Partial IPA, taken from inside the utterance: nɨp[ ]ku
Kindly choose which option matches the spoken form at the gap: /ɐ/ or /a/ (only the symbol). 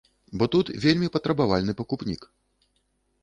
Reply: ɐ